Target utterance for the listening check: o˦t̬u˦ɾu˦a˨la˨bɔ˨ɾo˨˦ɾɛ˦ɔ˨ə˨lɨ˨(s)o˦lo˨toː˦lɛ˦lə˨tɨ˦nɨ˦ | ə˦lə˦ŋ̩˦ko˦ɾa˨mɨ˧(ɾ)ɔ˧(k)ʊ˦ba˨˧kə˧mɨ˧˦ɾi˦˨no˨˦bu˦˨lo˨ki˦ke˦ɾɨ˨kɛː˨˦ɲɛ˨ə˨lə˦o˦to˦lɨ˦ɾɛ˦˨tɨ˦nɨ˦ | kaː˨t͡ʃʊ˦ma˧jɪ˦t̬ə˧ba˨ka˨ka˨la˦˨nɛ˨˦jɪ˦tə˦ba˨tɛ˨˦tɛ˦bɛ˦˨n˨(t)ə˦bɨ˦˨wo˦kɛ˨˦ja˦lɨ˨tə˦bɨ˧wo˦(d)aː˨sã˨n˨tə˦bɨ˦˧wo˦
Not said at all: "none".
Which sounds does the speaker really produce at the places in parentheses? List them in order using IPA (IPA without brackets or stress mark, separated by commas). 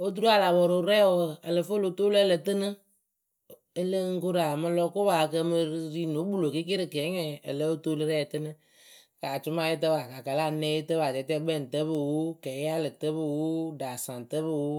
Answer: f, l, k, t, d